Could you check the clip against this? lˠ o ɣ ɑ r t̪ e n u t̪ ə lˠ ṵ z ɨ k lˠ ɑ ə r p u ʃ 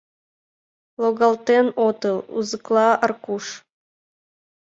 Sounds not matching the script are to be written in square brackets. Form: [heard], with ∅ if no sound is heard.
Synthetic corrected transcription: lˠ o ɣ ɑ [l] t̪ e n [o] t̪ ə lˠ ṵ z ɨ k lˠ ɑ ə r [k] u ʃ

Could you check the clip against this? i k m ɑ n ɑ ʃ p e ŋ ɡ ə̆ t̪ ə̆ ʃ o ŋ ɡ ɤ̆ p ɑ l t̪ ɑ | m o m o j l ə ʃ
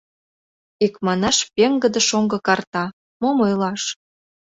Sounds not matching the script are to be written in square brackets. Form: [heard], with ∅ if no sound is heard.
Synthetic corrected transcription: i k m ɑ n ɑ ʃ p e ŋ ɡ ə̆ [d̪] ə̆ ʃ o ŋ ɡ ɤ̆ [k] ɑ [r] t̪ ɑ | m o m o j l [ɑ] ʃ

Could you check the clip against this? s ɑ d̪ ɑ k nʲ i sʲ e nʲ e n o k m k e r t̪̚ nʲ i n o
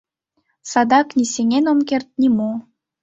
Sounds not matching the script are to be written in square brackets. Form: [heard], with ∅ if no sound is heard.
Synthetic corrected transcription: s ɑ d̪ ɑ k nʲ i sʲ e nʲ e n o [∅] m k e r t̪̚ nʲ i [m] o

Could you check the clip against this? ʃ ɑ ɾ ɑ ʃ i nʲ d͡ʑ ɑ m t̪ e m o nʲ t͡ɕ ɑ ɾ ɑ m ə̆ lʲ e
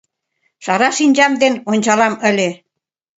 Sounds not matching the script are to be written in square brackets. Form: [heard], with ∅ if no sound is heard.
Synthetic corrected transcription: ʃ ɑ ɾ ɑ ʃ i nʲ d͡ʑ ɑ m [d̪] e [n] o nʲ t͡ɕ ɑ [l] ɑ m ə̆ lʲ e

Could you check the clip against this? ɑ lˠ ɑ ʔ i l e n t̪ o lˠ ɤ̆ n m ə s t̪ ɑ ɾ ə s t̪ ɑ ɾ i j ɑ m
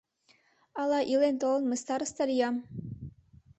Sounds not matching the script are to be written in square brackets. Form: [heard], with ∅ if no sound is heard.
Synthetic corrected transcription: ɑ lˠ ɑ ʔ i l e n t̪ o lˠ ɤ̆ n m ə s t̪ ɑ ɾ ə s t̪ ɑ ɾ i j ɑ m

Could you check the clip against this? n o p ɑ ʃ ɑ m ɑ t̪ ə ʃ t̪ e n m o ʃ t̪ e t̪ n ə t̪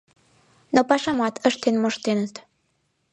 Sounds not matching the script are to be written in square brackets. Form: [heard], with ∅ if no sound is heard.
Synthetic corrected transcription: n o p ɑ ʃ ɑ m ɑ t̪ ə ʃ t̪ e n m o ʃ t̪ e [∅] n ə t̪

